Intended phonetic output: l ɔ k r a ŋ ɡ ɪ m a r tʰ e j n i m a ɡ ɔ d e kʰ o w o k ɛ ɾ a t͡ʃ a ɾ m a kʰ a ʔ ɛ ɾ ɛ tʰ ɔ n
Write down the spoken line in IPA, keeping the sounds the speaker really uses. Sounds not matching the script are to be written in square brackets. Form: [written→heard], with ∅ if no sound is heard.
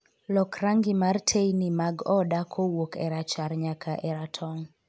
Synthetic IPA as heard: l ɔ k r a ŋ ɡ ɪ m a r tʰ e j n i m a ɡ ɔ d [e→a] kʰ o w o k ɛ ɾ a t͡ʃ a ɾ [m→ɲ] a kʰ a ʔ ɛ ɾ [ɛ→a] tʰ ɔ [n→ŋ]